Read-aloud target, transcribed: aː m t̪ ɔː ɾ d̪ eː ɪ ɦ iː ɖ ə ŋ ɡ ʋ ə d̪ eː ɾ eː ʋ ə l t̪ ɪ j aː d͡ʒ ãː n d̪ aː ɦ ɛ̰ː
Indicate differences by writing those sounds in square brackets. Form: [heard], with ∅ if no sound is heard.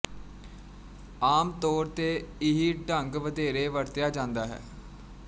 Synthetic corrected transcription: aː m t̪ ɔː ɾ [t̪] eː ɪ ɦ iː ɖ ə ŋ ɡ ʋ ə d̪ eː ɾ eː ʋ ə [ɾ] t̪ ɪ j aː d͡ʒ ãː n d̪ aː ɦ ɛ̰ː